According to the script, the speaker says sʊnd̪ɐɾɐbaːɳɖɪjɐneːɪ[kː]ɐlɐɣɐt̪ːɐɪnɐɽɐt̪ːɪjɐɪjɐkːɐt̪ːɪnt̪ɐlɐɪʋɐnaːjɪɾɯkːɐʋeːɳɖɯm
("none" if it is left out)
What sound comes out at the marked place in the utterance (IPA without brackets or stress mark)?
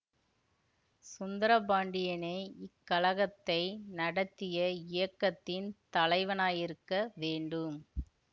kː